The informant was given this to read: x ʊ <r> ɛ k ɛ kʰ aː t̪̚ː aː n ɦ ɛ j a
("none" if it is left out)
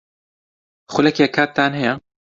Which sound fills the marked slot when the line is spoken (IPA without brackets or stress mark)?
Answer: l